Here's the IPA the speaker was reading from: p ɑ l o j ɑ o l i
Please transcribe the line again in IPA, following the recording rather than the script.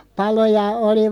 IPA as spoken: p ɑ l o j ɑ o l i